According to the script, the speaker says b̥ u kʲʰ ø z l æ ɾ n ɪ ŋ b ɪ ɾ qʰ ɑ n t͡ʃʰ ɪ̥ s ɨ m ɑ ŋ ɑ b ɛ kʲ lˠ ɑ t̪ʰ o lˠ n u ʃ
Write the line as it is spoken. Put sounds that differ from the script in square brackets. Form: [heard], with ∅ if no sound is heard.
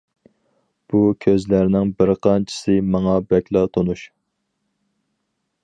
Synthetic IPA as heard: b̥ u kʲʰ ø z l æ ɾ n ɪ ŋ b ɪ ɾ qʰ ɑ n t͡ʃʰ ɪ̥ s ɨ m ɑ ŋ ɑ b ɛ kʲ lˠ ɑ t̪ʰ o [∅] n u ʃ

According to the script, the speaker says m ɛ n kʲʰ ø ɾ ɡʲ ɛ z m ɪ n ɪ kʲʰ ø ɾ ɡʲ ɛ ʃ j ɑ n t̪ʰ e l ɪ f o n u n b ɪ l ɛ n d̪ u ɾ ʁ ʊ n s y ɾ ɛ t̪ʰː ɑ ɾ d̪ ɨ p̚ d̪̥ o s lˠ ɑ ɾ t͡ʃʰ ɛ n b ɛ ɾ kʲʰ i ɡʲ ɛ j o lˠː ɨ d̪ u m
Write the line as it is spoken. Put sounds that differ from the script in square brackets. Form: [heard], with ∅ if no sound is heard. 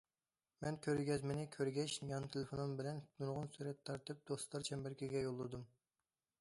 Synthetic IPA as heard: m ɛ n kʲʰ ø ɾ ɡʲ ɛ z m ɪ n ɪ kʲʰ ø ɾ ɡʲ ɛ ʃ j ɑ n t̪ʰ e l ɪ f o n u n b ɪ l ɛ n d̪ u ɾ ʁ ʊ n s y ɾ ɛ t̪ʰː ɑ ɾ [t̪] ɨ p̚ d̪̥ o s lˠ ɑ ɾ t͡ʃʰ ɛ [m] b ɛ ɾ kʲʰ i ɡʲ ɛ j o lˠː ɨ d̪ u m

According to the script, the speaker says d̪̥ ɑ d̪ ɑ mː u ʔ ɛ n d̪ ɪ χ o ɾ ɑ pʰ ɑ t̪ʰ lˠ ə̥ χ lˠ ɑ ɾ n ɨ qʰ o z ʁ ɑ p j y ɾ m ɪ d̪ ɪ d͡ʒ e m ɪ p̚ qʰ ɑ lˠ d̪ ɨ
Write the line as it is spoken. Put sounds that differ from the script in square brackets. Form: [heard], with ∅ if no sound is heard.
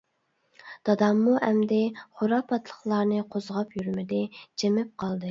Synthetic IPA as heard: d̪̥ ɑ d̪ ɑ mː u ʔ ɛ [m] d̪ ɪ χ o ɾ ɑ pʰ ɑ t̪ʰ lˠ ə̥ χ lˠ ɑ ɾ n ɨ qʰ o z ʁ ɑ p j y ɾ m ɪ d̪ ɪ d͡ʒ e m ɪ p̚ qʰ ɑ lˠ d̪ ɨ

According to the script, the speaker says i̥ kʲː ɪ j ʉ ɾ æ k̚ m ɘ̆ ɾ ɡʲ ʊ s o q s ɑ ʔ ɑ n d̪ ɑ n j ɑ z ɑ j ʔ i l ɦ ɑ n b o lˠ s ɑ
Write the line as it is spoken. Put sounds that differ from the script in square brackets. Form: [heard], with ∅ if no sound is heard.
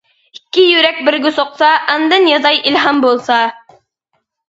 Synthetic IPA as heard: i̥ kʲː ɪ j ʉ ɾ æ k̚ [b] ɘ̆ ɾ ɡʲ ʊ s o q s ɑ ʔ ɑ n d̪ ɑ n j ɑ z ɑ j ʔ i l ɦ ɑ [m] b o lˠ s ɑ

